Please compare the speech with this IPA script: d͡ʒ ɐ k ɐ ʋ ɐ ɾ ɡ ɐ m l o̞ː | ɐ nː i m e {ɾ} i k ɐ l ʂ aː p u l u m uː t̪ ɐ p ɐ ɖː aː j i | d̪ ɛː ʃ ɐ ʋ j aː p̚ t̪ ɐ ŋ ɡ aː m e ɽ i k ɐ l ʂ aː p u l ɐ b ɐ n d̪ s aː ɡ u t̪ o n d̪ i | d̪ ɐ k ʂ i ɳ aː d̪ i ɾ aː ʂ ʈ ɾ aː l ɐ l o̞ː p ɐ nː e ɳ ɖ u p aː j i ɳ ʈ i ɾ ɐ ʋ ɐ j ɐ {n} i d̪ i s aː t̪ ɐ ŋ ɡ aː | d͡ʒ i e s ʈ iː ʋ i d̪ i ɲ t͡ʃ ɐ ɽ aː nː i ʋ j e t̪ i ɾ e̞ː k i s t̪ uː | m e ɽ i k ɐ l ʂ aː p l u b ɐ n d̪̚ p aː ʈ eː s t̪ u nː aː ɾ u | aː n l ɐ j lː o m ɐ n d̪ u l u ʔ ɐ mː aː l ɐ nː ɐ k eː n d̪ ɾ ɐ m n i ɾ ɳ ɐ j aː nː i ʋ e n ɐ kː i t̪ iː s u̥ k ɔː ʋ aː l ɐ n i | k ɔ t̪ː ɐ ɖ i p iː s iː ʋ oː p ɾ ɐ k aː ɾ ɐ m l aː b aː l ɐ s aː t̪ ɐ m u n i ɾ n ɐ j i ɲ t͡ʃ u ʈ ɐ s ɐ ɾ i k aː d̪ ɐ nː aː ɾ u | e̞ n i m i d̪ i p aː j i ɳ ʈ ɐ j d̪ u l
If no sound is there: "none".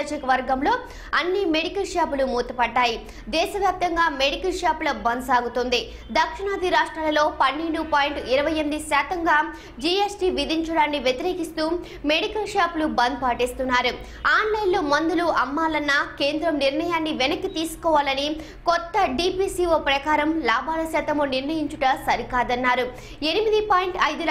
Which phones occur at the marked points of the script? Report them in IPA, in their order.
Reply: ɽ, m

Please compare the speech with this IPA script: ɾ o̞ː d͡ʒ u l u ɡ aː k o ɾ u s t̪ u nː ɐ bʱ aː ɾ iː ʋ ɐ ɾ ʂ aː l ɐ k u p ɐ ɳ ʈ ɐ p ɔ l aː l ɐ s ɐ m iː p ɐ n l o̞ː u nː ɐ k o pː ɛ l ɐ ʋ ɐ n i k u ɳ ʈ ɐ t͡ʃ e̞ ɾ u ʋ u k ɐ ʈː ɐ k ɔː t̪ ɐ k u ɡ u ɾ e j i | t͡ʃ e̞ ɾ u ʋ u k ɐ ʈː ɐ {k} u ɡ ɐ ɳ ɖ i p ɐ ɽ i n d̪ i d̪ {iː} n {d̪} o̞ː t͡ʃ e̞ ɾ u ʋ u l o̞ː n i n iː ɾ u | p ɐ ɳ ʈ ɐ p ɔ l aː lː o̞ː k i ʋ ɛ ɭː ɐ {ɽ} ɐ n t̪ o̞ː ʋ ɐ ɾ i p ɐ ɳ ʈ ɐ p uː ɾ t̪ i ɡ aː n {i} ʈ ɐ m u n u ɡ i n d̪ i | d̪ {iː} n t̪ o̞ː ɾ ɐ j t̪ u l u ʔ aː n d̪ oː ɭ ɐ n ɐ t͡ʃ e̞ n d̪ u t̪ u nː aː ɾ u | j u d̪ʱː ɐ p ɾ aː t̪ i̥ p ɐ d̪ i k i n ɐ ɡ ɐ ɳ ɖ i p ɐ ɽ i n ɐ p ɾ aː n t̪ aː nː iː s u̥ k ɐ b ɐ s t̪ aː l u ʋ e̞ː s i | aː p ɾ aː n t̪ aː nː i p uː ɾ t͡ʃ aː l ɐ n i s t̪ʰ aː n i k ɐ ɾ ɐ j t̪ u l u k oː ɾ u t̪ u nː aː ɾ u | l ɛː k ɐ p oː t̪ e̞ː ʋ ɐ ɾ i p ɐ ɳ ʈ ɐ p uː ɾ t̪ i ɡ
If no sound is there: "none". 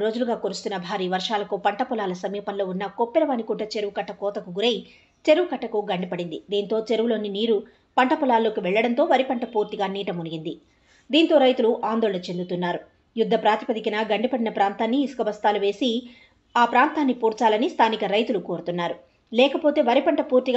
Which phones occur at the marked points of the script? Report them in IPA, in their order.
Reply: k, iː, t̪, ɽ, iː, iː

